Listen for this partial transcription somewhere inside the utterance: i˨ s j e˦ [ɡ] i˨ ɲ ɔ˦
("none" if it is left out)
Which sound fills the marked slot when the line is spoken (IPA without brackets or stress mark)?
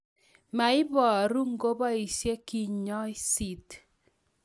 k